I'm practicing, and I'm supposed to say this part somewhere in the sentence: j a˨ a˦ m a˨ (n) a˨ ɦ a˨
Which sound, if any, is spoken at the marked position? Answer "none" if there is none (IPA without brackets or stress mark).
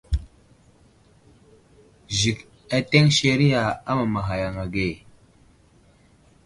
m